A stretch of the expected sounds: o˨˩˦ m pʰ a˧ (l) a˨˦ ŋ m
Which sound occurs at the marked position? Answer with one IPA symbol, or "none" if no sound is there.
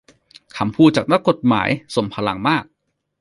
l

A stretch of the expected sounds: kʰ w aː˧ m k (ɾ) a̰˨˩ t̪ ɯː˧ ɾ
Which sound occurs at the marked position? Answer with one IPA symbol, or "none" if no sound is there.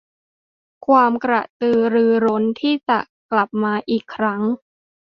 ɾ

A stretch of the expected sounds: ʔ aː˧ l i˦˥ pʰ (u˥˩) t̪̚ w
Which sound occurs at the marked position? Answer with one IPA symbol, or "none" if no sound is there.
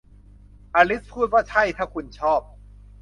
uː˥˩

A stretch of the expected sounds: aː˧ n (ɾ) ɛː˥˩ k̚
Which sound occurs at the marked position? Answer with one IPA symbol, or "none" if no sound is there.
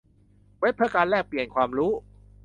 l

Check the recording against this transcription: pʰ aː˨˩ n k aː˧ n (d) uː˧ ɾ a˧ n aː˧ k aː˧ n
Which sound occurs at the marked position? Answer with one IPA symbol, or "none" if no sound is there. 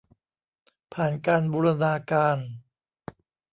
b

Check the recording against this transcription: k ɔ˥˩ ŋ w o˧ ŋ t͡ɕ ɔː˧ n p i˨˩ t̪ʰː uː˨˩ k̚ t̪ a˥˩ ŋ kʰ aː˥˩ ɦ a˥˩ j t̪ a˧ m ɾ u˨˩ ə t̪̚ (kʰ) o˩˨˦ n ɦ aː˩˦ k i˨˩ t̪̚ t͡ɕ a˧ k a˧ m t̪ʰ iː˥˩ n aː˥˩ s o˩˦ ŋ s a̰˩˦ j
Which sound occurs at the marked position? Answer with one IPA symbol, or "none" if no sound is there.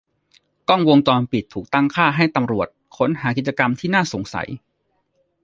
kʰ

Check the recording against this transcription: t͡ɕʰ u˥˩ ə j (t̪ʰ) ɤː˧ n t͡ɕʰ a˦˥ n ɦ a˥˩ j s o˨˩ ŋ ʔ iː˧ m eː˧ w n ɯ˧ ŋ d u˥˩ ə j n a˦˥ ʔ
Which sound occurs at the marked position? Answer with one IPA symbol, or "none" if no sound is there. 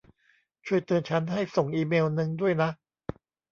t̪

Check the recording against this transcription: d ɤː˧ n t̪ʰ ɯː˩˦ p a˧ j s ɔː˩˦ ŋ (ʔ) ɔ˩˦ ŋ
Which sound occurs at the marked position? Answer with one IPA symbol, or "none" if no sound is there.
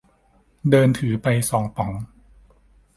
p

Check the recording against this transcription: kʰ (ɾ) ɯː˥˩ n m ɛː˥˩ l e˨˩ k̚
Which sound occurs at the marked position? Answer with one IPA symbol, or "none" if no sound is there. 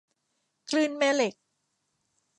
l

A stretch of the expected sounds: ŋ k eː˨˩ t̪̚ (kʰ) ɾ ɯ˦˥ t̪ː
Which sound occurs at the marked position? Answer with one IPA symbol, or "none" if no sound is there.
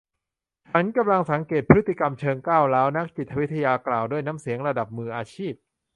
pʰ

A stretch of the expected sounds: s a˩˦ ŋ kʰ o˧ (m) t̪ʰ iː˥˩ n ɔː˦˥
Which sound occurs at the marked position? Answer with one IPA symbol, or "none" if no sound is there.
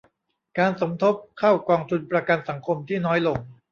m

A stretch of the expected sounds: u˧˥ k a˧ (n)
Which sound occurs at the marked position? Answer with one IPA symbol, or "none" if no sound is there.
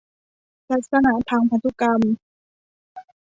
m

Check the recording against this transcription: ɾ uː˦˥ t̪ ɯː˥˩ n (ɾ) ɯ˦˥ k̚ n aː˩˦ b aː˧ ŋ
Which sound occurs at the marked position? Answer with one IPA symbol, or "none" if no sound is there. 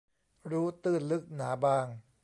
l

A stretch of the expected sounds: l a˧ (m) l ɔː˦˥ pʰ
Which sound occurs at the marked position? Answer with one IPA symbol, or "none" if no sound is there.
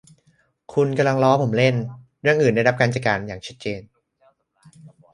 ŋ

